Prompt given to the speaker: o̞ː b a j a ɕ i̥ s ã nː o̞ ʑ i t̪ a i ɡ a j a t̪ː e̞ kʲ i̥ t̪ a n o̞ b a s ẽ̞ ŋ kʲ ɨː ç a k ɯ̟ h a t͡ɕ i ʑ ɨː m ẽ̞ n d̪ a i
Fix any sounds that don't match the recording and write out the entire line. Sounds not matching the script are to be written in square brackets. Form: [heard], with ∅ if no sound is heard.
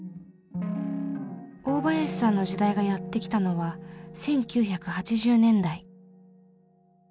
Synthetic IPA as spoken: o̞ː b a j a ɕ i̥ s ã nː o̞ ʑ i [d̪] a i ɡ a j a t̪ː e̞ kʲ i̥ t̪ a n o̞ [β] a s ẽ̞ ŋ kʲ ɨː ç a k ɯ̟ h a t͡ɕ i ʑ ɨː [n] ẽ̞ n d̪ a i

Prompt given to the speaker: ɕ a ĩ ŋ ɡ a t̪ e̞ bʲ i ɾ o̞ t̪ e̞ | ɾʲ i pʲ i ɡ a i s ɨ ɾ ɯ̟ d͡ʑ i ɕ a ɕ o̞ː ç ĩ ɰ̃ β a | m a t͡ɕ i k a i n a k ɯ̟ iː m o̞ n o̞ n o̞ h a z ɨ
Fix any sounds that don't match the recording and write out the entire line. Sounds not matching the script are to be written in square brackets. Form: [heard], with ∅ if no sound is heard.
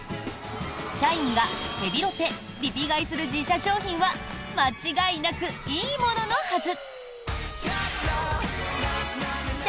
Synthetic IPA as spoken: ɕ a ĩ ŋ ɡ a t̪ e̞ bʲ i ɾ o̞ t̪ e̞ | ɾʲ i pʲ i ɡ a i s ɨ ɾ ɯ̟ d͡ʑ i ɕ a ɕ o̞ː ç ĩ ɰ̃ β a | m a t͡ɕ i [ɡ] a i n a k ɯ̟ iː m o̞ n o̞ n o̞ h a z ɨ

